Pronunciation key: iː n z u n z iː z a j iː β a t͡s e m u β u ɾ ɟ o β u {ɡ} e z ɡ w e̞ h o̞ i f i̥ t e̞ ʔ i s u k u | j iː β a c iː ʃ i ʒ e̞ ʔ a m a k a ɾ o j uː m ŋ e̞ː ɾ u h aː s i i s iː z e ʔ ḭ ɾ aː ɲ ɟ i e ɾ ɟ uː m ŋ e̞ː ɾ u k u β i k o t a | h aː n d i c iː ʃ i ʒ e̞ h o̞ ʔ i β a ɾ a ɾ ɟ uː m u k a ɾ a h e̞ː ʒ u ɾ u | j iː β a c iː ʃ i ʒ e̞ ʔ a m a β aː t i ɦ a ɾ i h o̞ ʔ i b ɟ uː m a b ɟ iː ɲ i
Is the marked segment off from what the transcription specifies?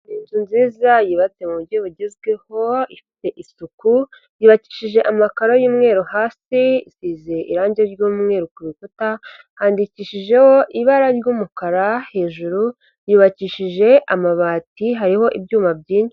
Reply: yes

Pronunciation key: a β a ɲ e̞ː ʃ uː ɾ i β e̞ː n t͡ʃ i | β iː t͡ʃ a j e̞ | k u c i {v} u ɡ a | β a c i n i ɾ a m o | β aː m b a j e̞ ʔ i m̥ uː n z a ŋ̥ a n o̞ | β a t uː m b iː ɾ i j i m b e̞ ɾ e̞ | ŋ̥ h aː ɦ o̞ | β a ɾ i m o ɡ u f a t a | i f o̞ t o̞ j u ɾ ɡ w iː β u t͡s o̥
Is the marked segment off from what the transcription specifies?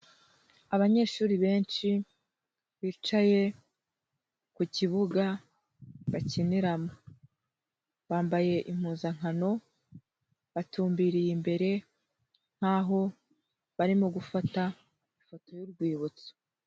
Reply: yes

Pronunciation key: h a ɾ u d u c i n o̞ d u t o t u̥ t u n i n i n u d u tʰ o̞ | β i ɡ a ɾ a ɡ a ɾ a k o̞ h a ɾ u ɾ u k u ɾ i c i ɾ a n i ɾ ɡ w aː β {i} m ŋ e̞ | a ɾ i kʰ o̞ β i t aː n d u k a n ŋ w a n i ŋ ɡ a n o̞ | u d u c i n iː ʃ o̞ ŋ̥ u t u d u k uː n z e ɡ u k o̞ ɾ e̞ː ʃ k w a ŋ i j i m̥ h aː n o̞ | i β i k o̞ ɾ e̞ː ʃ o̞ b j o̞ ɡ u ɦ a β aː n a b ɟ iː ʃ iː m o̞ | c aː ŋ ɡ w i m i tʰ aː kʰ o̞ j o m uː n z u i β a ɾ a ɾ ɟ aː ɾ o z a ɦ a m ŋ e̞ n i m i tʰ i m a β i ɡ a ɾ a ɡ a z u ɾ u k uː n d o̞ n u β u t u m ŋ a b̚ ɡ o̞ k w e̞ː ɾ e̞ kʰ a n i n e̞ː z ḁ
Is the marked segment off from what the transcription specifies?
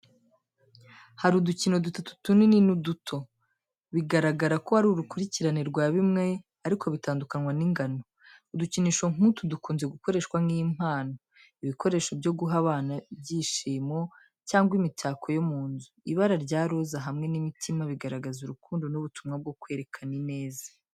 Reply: no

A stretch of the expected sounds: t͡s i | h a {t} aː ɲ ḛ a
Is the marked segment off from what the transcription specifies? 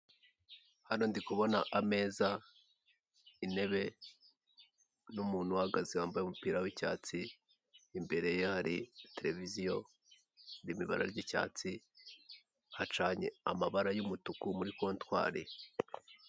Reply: yes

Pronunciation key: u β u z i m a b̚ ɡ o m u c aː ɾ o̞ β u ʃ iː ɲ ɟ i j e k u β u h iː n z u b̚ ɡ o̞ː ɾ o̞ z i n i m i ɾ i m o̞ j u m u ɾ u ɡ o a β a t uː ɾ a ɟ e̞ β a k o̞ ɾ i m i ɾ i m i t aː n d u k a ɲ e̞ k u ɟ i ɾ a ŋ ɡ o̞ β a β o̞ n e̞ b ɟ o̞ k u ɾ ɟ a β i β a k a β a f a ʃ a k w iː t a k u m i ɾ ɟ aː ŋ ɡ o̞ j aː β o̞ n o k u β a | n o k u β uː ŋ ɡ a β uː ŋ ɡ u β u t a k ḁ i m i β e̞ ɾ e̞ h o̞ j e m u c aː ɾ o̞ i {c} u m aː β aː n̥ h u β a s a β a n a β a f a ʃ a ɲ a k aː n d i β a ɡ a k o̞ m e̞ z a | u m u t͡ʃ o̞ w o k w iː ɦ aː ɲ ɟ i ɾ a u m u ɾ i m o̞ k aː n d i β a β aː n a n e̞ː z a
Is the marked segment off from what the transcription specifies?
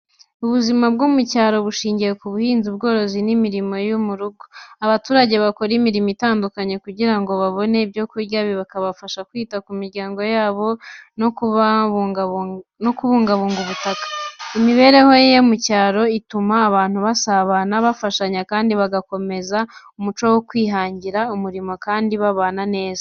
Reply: yes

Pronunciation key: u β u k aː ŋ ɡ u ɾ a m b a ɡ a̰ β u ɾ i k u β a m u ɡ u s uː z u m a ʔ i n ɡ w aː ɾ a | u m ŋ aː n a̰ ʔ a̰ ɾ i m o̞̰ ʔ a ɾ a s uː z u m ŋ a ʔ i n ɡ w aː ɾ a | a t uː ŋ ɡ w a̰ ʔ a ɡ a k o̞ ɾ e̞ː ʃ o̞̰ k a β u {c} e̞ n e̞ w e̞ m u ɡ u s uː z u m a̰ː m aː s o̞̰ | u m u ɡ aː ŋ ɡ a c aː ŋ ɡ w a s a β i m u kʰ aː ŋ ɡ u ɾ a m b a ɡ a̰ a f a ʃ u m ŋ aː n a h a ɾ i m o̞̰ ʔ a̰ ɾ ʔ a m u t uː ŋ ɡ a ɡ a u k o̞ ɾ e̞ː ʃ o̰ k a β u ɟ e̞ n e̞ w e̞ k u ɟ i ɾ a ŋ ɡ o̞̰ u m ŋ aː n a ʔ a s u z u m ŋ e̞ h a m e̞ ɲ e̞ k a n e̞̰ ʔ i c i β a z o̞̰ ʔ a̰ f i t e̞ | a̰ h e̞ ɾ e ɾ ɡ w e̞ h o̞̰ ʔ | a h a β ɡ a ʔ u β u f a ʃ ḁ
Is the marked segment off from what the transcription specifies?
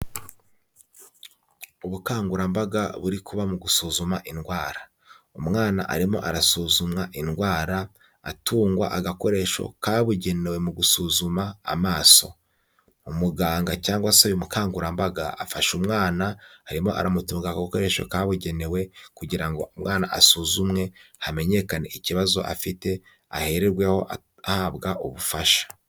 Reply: yes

